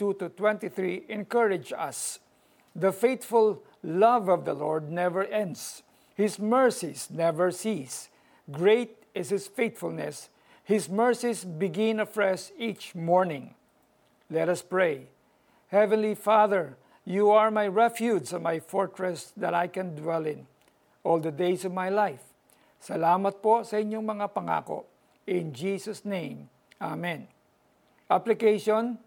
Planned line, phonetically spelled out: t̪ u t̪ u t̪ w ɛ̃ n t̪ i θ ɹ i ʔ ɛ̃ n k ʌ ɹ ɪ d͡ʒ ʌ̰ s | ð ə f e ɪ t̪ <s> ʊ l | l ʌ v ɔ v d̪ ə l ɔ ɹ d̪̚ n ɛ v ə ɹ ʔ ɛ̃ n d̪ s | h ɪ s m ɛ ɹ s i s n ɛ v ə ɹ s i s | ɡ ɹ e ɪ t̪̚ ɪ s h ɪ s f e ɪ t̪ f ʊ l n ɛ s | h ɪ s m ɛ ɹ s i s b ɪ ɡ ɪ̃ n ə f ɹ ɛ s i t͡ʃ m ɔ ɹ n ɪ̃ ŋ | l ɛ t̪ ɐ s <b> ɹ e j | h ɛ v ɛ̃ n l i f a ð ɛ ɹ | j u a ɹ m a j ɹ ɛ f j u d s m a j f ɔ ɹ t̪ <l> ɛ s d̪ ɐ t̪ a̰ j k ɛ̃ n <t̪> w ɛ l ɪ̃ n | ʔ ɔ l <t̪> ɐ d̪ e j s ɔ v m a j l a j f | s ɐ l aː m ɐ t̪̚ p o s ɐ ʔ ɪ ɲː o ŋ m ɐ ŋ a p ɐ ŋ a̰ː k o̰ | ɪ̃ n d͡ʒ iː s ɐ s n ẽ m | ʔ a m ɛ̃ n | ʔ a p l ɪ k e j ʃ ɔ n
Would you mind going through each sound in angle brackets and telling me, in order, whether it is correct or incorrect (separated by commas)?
incorrect, incorrect, incorrect, incorrect, incorrect